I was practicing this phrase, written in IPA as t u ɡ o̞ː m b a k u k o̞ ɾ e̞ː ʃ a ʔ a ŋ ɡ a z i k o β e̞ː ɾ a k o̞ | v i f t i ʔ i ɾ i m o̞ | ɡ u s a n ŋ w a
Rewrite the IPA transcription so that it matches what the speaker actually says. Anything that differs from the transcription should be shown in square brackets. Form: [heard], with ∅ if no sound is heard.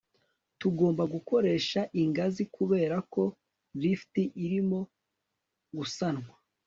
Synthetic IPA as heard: t u ɡ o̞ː m b a [ɡ] u k o̞ ɾ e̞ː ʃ a ʔ [i] ŋ ɡ a z i k [u] β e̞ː ɾ a k o̞ | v i f t i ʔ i ɾ i m o̞ | ɡ u s a n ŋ w a